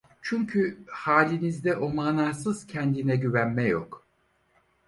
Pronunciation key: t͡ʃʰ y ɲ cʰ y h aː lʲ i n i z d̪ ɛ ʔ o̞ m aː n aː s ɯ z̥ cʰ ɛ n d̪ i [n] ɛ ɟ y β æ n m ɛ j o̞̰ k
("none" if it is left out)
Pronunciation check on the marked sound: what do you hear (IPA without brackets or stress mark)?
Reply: n